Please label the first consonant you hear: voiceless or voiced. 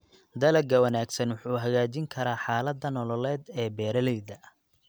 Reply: voiced